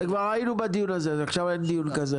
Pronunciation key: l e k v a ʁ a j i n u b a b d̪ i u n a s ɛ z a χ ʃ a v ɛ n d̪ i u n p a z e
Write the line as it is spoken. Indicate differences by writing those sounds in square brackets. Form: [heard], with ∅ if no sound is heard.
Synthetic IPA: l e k v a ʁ a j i n u b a [∅] d̪ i u n a [z] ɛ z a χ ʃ a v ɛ n d̪ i u n [k] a z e